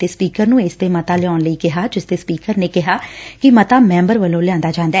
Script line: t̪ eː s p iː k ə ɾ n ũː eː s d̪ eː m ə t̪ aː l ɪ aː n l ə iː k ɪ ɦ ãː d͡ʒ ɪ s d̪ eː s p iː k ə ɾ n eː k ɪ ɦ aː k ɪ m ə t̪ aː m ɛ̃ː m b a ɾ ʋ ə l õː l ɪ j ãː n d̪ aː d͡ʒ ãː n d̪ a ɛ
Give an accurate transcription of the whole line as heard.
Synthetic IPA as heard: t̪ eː s p iː k ə ɾ n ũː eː s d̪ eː m ə t̪ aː l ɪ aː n l ə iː k ɪ ɦ aː d͡ʒ ɪ s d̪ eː s p iː k ə ɾ n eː k ɪ ɦ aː k ɪ m ə t̪ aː m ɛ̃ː m b ə ɾ ʋ ə l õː l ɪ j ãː n d̪ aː d͡ʒ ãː n d̪ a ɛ